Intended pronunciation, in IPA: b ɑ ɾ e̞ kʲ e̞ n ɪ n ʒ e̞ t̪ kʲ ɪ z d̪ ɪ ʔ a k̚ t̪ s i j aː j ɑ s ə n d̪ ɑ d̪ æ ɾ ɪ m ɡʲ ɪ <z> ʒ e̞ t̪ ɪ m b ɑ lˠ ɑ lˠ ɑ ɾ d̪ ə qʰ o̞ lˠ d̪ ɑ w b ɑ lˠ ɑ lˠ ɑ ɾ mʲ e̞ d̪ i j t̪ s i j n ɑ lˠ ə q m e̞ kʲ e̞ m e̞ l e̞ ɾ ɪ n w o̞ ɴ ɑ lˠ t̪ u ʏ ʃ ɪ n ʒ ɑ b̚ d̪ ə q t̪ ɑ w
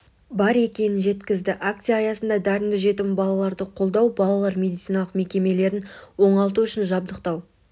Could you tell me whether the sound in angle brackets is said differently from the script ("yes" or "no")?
yes